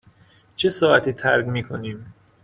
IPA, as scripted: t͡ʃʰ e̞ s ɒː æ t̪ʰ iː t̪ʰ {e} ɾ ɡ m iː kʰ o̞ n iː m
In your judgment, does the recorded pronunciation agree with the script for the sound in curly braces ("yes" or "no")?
no